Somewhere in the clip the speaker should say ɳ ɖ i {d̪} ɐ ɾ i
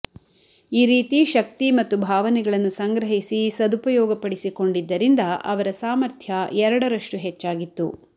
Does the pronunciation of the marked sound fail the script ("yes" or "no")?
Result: yes